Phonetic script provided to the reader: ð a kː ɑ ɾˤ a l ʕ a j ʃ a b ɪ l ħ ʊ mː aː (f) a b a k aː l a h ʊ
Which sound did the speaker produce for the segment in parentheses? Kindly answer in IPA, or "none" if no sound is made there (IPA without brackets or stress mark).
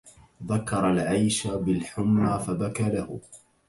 f